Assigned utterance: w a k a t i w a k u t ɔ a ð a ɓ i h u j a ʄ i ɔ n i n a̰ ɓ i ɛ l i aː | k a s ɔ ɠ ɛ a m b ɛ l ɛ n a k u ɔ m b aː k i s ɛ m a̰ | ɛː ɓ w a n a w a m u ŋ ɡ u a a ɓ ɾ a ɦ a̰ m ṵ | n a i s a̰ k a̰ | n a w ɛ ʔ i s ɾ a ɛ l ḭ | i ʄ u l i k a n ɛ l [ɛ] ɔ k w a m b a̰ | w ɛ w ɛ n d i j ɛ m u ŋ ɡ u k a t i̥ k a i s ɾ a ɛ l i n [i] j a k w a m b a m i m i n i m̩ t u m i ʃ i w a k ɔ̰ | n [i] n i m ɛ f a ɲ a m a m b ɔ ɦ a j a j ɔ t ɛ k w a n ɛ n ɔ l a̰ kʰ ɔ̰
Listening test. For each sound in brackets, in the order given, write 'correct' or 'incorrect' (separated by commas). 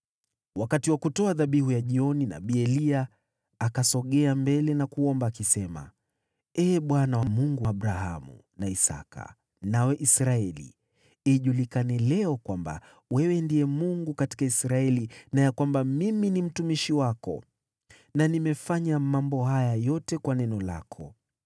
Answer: correct, incorrect, incorrect